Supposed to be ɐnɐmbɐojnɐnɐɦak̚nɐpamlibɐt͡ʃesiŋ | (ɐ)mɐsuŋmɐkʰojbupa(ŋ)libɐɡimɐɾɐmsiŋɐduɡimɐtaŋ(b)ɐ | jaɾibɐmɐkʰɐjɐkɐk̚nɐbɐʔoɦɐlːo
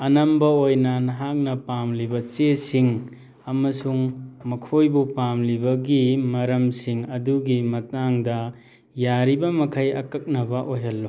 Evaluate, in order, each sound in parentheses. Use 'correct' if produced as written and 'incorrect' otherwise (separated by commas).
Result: correct, incorrect, incorrect